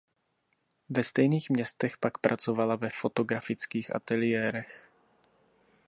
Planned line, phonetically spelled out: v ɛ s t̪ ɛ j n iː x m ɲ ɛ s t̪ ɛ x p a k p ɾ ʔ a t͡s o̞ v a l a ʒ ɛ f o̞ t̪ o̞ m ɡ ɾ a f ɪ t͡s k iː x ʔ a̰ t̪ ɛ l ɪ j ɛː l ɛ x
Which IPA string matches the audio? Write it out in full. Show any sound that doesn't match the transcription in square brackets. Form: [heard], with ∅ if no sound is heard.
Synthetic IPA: v ɛ s t̪ ɛ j n iː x m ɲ ɛ s t̪ ɛ x p a k p ɾ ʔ a t͡s o̞ v a l a [v] ɛ f o̞ t̪ o̞ [∅] ɡ ɾ a f ɪ t͡s k iː x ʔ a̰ t̪ ɛ l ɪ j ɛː [ɾ] ɛ x